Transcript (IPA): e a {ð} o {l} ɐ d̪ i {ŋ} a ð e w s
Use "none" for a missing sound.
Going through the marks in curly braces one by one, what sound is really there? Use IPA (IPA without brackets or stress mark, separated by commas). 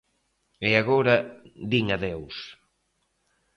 ɣ, ɾ, ŋ